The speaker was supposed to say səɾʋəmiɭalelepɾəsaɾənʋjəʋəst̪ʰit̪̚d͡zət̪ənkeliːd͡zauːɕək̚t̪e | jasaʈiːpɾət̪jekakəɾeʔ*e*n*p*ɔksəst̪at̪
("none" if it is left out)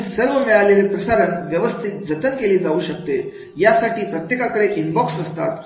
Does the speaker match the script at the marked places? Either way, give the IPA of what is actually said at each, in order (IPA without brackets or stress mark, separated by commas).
i, b